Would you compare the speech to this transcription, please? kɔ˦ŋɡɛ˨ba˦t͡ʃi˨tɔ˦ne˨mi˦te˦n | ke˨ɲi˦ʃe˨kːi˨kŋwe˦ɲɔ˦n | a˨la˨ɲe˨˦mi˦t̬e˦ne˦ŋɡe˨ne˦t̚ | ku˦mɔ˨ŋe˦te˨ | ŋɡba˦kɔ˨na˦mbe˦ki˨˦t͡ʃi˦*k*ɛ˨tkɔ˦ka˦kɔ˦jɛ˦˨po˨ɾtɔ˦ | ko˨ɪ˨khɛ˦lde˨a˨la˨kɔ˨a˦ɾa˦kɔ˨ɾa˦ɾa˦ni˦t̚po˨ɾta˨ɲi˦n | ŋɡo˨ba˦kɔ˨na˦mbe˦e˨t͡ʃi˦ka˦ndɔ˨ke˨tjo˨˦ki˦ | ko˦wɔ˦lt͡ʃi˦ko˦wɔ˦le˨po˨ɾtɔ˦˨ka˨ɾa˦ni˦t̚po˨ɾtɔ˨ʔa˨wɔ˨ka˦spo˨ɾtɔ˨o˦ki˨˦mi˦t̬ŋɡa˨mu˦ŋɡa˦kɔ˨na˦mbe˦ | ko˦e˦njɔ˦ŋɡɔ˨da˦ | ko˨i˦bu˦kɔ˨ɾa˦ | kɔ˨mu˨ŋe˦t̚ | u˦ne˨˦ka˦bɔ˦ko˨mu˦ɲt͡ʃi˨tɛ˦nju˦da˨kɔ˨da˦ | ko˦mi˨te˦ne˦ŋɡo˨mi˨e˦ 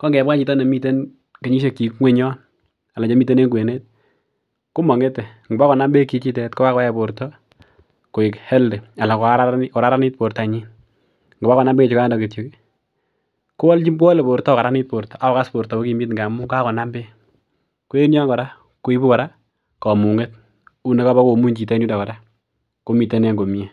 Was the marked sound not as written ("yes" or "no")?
yes